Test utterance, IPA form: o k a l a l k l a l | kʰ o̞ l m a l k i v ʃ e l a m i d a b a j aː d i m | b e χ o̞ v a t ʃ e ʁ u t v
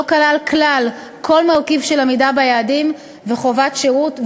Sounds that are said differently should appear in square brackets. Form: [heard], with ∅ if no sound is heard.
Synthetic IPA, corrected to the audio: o k a l a l k l a l | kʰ o̞ l m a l k i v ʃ e l a m i d a b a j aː d i m | [v] e χ o̞ v a t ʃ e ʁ u t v